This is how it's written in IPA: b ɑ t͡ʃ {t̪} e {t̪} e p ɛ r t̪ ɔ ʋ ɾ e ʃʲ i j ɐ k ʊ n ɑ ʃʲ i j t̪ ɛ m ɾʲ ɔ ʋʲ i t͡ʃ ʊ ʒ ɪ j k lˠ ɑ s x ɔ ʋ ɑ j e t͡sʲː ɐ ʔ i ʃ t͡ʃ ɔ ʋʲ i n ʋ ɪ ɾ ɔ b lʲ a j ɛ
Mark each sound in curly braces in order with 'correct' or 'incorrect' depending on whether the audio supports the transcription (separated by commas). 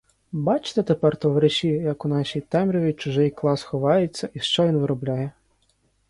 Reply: correct, correct